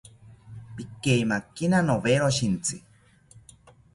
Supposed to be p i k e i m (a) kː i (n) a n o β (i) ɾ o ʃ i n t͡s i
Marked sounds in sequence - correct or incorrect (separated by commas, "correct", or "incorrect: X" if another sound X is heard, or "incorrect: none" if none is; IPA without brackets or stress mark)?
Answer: correct, correct, incorrect: e